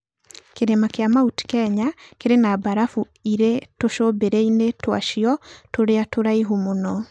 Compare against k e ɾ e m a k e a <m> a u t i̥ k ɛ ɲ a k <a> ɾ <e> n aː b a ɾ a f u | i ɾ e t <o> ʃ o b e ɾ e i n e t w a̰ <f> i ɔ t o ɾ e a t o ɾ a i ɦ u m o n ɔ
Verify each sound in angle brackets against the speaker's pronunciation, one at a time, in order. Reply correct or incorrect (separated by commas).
correct, incorrect, correct, correct, incorrect